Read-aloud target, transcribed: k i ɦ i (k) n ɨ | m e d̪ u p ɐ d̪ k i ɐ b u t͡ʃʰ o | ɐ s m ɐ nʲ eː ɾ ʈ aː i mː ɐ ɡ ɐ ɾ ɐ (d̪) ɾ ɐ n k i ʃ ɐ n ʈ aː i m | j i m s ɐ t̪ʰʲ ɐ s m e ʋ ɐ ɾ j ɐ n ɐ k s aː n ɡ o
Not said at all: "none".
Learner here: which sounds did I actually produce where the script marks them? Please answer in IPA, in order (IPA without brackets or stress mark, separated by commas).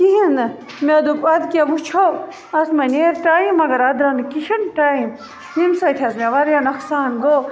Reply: none, d̪